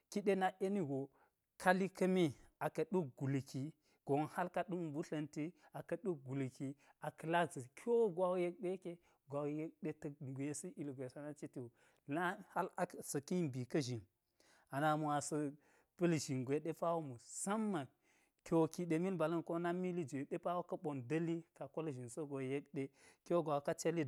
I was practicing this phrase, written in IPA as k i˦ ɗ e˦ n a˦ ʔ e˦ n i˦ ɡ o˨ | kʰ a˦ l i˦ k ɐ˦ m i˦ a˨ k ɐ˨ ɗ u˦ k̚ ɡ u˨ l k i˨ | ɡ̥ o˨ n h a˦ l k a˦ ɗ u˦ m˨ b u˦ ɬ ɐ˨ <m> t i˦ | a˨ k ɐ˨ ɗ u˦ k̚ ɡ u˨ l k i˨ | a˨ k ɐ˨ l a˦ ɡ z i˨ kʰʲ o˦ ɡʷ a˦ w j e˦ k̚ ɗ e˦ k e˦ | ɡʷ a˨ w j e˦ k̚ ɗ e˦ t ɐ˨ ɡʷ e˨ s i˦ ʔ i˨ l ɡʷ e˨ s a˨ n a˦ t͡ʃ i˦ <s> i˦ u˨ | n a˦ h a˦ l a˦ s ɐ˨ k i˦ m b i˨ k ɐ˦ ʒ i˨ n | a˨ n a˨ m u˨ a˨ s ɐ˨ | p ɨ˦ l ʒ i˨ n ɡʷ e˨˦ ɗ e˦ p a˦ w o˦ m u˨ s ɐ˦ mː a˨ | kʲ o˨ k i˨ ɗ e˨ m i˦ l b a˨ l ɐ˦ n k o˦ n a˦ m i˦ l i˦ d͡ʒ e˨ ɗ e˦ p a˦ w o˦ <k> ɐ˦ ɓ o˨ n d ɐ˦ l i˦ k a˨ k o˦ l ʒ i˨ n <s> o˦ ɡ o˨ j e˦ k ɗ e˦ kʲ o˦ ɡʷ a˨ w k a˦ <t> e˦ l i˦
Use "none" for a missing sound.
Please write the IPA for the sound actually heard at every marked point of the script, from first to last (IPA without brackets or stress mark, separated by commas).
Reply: n, t, k, s, t͡ʃ